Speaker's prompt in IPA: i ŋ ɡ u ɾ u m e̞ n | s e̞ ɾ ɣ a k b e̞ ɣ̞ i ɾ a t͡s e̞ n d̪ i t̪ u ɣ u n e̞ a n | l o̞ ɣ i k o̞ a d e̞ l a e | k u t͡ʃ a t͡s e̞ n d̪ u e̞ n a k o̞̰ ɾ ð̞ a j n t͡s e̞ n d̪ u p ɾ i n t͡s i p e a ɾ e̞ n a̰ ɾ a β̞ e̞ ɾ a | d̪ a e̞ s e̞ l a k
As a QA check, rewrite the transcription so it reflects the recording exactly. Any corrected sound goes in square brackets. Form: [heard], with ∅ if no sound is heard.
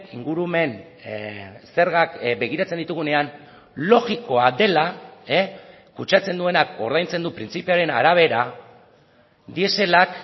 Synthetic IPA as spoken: i ŋ ɡ u ɾ u m e̞ n | s e̞ ɾ ɣ a k b e̞ ɣ̞ i ɾ a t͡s e̞ n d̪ i t̪ u ɣ u n e̞ a n | l o̞ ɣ i k o̞ a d e̞ l a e | k u t͡ʃ a t͡s e̞ n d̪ u e̞ n a k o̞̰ ɾ ð̞ a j n t͡s e̞ n d̪ u p ɾ i n t͡s i p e a ɾ e̞ n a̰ ɾ a β̞ e̞ ɾ a | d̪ [i] e̞ s e̞ l a k

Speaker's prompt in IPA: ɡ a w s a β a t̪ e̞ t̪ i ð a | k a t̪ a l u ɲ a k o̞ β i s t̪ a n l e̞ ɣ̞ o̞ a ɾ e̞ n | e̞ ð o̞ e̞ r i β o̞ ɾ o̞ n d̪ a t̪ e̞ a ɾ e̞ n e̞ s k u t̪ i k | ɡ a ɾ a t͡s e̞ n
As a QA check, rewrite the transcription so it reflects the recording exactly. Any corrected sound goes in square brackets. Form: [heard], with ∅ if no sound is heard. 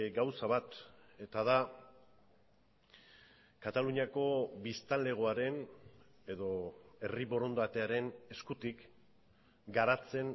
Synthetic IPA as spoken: ɡ a w s a β a t̪ e̞ t̪ [a] ð a | k a t̪ a l u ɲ a k o̞ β i s t̪ a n l e̞ ɣ̞ o̞ a ɾ e̞ n | e̞ ð o̞ e̞ r i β o̞ ɾ o̞ n d̪ a t̪ e̞ a ɾ e̞ n e̞ s k u t̪ i k | ɡ a ɾ a t͡s e̞ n

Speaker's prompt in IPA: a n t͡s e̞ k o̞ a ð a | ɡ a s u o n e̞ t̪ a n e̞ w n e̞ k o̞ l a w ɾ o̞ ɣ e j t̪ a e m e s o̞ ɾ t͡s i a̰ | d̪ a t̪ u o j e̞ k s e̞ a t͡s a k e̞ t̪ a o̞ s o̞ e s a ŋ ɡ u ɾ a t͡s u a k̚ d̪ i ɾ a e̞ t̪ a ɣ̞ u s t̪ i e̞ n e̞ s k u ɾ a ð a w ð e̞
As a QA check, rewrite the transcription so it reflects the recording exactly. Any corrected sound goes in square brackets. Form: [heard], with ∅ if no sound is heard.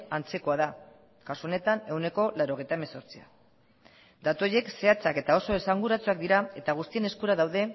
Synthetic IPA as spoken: a n t͡s e̞ k o̞ a ð a | [k] a s u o n e̞ t̪ a n e̞ w n e̞ k o̞ l a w ɾ o̞ ɣ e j t̪ a e m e s o̞ ɾ t͡s i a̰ | d̪ a t̪ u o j e̞ k s e̞ a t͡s a k e̞ t̪ a o̞ s o̞ e s a ŋ ɡ u ɾ a t͡s u a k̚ d̪ i ɾ a e̞ t̪ a ɣ̞ u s t̪ i e̞ n e̞ s k u ɾ a ð a w ð e̞

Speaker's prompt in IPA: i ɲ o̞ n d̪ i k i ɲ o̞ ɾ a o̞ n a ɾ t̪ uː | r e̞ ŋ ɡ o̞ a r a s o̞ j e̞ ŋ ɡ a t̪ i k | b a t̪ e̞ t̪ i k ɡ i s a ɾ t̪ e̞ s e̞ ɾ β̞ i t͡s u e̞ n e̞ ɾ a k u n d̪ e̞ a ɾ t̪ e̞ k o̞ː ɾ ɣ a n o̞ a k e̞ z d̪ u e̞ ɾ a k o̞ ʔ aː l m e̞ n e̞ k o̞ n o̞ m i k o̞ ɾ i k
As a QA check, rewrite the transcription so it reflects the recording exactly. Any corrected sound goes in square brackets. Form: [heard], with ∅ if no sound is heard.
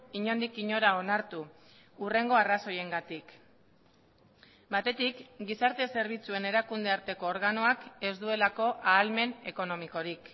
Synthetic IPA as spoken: i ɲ o̞ n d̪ i k i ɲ o̞ ɾ a o̞ n a ɾ t̪ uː | r e̞ ŋ ɡ o̞ a r a s o̞ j e̞ ŋ ɡ a t̪ i k | b a t̪ e̞ t̪ i k ɡ i s a ɾ t̪ e̞ s e̞ ɾ β̞ i t͡s u e̞ n e̞ ɾ a k u n d̪ e̞ a ɾ t̪ e̞ k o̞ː ɾ ɣ a n o̞ a k e̞ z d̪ u e̞ [l] a k o̞ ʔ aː l m e̞ n e̞ k o̞ n o̞ m i k o̞ ɾ i k

